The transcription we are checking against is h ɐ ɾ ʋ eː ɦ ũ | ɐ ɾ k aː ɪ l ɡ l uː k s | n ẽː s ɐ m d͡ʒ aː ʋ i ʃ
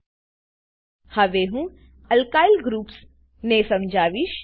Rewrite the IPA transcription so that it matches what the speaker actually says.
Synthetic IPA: h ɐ ʋ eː ɦ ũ | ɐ l k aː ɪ l ɡ ɾ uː p s | n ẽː s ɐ m d͡ʒ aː ʋ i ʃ